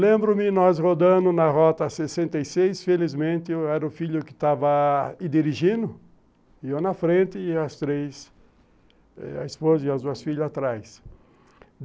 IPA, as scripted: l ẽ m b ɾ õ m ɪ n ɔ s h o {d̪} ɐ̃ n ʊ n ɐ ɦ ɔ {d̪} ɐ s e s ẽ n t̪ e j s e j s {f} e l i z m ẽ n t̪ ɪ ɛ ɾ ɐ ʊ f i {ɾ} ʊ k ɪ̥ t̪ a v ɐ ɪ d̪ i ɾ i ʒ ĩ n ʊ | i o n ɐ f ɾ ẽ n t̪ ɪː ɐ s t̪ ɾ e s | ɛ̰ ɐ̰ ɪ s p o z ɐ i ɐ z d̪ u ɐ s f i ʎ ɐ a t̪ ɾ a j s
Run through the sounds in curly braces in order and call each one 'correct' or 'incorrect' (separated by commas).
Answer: correct, incorrect, correct, incorrect